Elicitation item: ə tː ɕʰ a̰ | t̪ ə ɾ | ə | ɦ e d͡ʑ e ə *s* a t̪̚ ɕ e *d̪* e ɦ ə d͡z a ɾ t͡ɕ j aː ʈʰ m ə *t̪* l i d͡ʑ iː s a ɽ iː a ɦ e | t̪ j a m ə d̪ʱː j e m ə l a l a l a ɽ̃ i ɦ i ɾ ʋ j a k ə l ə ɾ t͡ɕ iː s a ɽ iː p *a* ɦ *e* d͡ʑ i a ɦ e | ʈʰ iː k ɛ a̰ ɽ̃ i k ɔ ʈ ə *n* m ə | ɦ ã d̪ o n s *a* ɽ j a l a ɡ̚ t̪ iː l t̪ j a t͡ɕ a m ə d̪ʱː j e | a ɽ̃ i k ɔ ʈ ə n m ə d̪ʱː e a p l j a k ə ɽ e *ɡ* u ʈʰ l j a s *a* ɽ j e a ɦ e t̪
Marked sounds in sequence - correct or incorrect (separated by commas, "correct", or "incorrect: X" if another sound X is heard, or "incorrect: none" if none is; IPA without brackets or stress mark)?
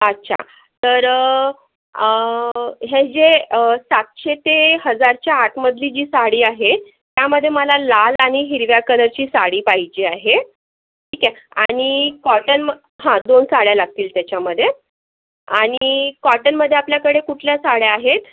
correct, incorrect: t̪, incorrect: d̪, correct, incorrect: i, correct, correct, incorrect: k, correct